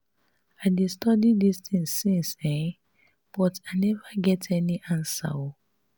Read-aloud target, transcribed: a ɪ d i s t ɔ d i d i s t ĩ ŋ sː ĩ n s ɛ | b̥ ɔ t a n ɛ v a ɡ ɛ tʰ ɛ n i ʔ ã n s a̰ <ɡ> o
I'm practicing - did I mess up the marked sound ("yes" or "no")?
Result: yes